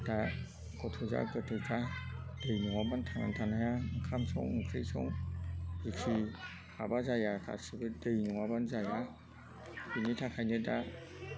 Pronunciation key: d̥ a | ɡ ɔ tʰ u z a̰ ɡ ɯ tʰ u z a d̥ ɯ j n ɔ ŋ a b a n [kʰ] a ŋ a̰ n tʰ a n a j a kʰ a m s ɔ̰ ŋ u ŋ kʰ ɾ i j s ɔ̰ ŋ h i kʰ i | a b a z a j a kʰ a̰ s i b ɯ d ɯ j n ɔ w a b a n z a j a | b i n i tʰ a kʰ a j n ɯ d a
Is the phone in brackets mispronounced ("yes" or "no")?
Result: yes